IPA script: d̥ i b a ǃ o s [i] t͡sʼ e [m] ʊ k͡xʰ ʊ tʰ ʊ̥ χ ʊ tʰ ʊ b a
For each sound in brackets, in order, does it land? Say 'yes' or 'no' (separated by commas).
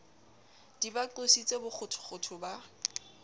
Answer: yes, no